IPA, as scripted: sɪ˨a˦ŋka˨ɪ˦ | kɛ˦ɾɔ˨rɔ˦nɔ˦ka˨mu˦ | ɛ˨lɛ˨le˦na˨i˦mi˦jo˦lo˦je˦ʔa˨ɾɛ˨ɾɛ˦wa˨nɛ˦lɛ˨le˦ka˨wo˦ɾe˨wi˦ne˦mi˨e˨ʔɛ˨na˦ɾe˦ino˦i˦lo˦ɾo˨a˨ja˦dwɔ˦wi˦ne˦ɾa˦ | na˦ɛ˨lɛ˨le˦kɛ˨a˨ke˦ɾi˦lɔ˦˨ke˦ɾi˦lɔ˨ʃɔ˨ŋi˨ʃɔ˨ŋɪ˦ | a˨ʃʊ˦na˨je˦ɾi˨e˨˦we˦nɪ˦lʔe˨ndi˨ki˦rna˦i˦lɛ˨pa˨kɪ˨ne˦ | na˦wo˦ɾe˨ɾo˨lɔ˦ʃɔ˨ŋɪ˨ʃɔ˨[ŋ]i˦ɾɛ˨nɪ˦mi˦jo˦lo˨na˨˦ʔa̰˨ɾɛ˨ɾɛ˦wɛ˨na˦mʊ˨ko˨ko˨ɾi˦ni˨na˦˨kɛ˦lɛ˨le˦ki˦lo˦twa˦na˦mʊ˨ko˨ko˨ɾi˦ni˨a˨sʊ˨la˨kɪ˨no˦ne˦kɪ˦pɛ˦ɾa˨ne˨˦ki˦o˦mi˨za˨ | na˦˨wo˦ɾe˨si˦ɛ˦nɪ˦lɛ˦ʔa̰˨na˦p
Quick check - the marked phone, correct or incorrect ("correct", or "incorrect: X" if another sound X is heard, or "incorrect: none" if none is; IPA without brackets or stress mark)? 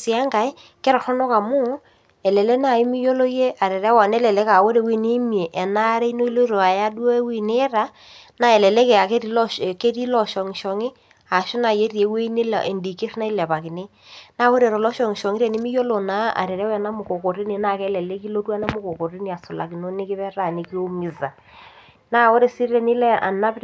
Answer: correct